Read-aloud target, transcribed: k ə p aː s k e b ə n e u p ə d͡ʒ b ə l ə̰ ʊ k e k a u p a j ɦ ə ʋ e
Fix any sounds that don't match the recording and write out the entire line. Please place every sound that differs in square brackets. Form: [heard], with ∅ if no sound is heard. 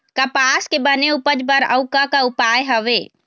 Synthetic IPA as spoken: k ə p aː s k e b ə n e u p ə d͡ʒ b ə [ɾ] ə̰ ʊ k [a] k a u p a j ɦ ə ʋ e